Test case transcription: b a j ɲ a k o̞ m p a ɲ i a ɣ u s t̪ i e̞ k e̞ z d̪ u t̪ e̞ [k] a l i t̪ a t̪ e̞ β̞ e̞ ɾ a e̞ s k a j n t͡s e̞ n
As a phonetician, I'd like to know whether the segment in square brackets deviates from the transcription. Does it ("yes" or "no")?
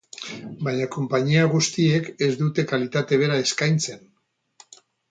no